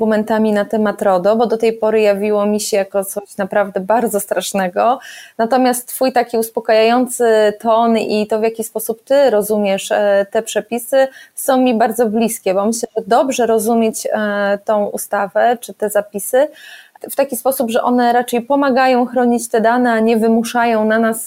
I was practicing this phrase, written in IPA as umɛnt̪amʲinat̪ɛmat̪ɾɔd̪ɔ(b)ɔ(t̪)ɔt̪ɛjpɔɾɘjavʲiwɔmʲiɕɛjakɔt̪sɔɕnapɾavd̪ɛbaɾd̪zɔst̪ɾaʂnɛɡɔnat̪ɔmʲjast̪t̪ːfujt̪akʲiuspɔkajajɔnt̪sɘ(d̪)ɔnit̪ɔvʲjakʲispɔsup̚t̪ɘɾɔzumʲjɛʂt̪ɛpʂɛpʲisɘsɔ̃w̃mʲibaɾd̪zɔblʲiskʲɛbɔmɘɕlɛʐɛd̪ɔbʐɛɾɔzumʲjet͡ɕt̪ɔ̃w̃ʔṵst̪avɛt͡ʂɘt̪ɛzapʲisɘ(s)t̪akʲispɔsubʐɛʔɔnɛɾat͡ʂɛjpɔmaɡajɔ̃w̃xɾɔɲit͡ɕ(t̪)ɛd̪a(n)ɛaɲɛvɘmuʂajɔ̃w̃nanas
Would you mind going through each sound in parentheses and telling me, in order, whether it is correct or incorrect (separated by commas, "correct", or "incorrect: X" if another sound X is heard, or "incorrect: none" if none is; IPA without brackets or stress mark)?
correct, incorrect: d̪, incorrect: t̪, incorrect: f, correct, correct